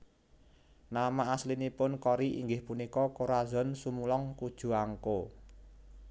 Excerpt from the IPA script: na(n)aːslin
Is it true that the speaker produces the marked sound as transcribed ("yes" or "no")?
no